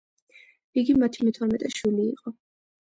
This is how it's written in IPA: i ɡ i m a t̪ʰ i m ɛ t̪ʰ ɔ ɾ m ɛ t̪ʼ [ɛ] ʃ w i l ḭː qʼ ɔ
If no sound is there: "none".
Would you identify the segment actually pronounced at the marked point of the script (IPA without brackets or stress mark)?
ɛ